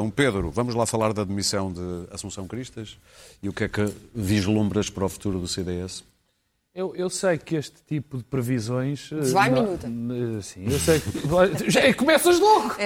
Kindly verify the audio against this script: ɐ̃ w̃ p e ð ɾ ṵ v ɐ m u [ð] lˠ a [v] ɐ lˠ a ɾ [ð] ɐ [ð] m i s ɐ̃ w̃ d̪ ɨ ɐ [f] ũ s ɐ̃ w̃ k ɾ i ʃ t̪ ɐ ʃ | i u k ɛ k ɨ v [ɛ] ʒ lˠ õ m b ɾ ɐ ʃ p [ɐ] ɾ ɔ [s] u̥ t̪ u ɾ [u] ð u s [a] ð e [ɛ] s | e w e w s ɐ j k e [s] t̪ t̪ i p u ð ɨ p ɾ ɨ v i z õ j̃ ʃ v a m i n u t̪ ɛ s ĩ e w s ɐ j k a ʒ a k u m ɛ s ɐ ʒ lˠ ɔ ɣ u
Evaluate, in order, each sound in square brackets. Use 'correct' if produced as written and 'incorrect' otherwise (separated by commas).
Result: incorrect, incorrect, correct, correct, incorrect, incorrect, correct, incorrect, correct, incorrect, correct, incorrect